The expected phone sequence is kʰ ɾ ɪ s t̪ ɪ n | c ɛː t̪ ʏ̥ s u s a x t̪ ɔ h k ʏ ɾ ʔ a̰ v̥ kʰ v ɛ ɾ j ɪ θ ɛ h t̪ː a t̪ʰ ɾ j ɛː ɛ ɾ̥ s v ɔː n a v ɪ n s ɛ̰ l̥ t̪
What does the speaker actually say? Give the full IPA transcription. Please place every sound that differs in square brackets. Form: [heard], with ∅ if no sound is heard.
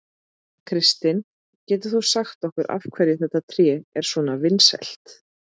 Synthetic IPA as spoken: kʰ ɾ ɪ s t̪ ɪ n | c ɛː t̪ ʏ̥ [θ] u s a x t̪ ɔ h k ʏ ɾ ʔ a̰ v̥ kʰ v ɛ ɾ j ɪ θ ɛ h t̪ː a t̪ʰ ɾ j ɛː ɛ ɾ̥ s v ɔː n a v ɪ n s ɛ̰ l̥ t̪